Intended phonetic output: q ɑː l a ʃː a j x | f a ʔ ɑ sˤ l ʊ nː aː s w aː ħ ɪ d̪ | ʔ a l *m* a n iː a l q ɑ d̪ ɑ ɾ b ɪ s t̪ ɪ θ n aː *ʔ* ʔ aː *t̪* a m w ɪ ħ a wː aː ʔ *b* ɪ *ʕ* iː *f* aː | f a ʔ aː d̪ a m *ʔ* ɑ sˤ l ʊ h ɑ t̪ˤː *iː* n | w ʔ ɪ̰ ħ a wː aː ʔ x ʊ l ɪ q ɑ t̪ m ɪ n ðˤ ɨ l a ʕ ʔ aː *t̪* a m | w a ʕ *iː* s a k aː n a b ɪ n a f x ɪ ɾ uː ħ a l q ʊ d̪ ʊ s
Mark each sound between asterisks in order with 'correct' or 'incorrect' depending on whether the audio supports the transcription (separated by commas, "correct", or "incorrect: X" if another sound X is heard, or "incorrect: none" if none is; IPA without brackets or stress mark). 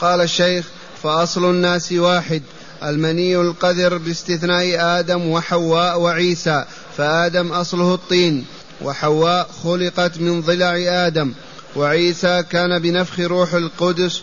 correct, correct, incorrect: d̪, incorrect: w, correct, incorrect: s, correct, correct, incorrect: d̪, correct